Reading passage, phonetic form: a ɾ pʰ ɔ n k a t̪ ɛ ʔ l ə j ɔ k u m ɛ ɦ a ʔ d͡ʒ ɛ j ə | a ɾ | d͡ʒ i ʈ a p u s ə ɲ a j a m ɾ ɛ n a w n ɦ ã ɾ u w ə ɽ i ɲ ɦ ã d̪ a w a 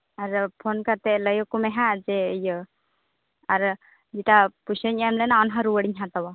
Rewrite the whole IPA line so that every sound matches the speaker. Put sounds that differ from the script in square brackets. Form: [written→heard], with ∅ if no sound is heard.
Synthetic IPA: a ɾ pʰ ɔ n k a t̪ ɛ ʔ l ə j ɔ k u m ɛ ɦ a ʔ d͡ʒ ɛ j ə | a ɾ | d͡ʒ i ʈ a p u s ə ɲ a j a m [ɾ→l] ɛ n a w n ɦ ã ɾ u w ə ɽ i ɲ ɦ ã [d̪→t̪] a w a